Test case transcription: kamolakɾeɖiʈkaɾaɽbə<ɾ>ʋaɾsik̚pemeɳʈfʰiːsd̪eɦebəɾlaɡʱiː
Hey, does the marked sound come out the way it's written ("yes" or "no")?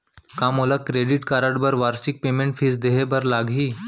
yes